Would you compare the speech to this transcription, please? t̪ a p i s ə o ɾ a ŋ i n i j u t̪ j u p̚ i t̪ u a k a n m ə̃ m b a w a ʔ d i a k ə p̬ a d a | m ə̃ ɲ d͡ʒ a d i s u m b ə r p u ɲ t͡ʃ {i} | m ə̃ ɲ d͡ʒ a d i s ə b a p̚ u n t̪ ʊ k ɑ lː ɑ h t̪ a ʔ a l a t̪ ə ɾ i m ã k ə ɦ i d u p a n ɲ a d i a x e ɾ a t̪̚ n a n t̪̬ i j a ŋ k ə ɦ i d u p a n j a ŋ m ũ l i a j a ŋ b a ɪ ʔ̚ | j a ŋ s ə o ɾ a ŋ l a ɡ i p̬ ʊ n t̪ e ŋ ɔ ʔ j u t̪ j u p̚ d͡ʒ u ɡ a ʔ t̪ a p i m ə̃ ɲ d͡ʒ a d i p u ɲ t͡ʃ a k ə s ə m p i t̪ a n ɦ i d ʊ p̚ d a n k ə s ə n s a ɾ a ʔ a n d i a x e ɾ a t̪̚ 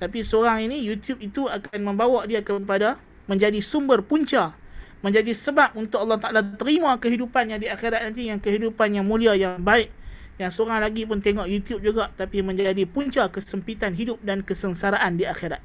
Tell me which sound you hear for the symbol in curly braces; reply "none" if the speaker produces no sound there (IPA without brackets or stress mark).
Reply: a